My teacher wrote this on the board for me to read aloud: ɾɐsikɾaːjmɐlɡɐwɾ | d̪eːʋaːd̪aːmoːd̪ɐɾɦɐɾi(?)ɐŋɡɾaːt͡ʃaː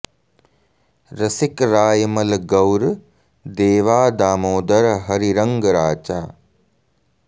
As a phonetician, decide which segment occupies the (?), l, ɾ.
ɾ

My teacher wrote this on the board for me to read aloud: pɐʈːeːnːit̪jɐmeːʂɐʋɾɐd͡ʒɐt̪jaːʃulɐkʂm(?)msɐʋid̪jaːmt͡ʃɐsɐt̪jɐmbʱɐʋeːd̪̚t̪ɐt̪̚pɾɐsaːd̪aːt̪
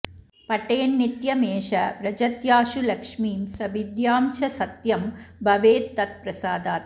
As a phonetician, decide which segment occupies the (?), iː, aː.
iː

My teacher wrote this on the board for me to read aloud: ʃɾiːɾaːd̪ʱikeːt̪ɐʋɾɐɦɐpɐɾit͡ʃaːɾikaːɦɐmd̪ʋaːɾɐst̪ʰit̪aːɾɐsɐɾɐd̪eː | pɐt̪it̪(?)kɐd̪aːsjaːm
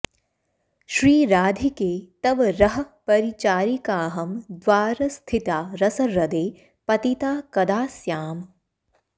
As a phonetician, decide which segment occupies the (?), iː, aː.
aː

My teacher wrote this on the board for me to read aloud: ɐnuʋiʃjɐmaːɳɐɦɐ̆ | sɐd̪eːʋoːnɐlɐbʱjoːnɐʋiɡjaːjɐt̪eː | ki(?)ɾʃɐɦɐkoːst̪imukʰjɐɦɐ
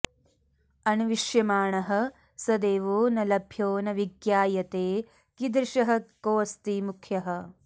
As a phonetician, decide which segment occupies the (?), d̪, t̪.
d̪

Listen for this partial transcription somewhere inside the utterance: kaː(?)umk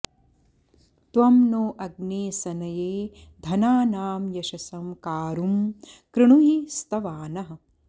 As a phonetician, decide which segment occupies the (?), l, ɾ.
ɾ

